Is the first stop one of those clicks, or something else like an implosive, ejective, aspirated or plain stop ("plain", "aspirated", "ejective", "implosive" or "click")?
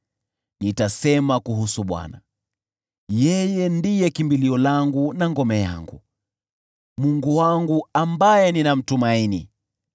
plain